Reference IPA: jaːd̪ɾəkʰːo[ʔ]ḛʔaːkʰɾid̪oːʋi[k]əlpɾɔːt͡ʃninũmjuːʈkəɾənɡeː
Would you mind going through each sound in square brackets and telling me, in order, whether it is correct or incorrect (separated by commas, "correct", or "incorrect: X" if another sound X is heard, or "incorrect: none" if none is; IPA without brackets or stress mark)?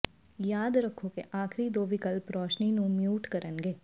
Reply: incorrect: k, correct